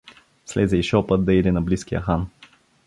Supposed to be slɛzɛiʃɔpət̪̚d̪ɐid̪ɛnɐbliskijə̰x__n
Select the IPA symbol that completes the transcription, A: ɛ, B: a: B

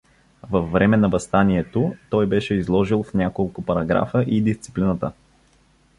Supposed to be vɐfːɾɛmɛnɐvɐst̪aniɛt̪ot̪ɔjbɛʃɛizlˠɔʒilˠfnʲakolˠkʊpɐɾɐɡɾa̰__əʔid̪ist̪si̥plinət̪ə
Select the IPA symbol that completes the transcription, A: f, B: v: A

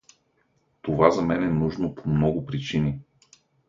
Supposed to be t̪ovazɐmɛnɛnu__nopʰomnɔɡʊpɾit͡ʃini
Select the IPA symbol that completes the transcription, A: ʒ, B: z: A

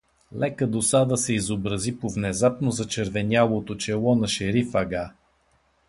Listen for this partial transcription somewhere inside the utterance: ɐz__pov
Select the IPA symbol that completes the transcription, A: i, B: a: A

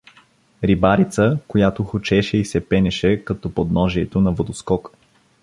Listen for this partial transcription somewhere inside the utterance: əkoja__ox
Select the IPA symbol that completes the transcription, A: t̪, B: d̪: A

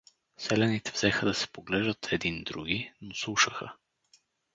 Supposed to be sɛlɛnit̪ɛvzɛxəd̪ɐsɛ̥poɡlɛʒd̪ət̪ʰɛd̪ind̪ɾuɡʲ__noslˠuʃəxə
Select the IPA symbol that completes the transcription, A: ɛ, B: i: B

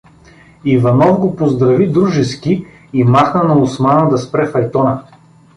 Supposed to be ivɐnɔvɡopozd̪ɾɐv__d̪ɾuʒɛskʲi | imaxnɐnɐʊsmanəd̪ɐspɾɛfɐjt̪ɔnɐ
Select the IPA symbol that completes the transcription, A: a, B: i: B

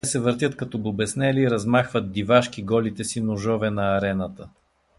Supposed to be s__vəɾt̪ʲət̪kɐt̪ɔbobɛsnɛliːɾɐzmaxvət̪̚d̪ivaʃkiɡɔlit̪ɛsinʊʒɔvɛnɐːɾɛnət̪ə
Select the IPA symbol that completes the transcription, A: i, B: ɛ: B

